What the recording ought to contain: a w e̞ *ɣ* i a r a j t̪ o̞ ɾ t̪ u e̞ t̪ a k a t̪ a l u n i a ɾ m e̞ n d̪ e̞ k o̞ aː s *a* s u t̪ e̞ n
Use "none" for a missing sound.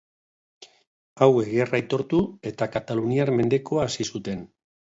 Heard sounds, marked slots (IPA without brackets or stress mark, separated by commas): ɣ, i